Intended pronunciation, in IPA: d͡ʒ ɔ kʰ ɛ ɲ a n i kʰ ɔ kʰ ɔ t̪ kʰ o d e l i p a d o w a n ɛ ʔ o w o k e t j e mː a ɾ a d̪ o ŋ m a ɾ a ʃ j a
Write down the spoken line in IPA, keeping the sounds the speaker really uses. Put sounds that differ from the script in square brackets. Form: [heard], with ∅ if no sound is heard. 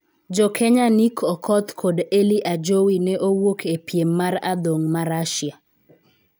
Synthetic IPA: d͡ʒ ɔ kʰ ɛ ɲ a n i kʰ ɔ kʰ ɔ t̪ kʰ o d e l i [ʔ] a [d͡ʒ] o w [i] n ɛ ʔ o w o k e [p] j e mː a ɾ a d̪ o ŋ m a ɾ a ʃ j a